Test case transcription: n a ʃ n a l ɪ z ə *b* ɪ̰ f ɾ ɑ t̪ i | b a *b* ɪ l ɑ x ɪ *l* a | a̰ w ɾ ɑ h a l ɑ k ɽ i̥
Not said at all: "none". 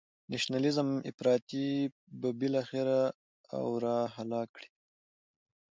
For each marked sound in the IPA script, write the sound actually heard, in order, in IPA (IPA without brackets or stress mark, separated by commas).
m, b, ɾ